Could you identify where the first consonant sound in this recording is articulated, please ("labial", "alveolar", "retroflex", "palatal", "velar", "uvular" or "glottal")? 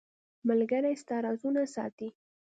labial